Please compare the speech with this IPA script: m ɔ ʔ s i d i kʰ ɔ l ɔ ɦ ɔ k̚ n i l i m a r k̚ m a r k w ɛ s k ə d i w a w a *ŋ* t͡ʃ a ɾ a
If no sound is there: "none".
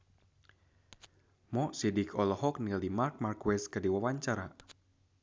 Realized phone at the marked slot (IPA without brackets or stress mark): ɲ